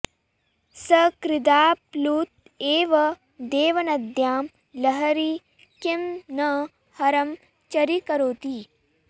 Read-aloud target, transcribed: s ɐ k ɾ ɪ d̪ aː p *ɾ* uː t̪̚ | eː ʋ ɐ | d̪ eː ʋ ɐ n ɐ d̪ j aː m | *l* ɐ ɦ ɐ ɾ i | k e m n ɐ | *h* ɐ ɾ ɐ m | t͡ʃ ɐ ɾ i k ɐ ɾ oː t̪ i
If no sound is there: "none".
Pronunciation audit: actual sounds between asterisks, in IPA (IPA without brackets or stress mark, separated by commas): l, l, h